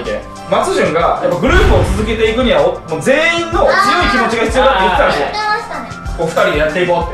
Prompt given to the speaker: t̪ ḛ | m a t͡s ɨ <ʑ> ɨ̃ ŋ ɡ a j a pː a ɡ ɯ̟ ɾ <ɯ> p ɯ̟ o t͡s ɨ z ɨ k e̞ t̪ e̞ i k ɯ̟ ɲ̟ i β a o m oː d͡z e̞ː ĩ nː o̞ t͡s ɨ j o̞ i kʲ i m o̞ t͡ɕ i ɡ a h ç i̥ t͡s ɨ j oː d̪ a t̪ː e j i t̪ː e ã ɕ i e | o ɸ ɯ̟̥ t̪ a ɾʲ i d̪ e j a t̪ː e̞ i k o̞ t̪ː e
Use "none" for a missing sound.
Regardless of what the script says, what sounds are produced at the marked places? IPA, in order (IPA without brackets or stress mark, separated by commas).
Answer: ʑ, ɯː